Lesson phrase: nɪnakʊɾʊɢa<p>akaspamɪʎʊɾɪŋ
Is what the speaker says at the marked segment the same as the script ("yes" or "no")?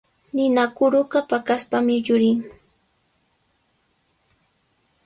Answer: yes